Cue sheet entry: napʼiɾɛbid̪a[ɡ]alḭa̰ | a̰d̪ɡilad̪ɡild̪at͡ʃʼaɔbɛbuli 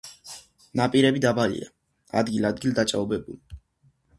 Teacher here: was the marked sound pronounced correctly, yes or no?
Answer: no